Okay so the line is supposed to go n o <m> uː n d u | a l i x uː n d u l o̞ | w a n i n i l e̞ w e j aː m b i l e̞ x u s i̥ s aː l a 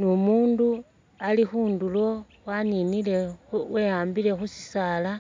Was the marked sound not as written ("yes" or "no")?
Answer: no